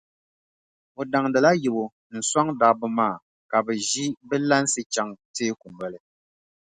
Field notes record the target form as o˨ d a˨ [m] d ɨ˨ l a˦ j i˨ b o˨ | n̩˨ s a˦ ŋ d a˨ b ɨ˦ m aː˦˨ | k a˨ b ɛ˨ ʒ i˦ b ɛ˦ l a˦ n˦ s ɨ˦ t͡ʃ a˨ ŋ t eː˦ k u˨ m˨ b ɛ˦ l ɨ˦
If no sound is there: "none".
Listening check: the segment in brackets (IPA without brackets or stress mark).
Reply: ŋ